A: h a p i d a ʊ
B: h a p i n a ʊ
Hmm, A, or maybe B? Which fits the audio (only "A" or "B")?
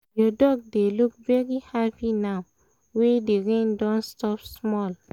B